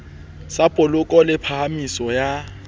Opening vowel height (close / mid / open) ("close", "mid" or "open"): open